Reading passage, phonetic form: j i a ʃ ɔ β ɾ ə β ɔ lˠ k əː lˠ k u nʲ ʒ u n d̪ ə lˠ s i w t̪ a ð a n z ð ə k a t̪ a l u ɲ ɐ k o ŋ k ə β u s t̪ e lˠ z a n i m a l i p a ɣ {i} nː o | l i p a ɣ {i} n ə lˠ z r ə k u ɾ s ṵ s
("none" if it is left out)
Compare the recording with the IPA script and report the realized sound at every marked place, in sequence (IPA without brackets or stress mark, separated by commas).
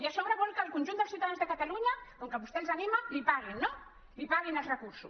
i, i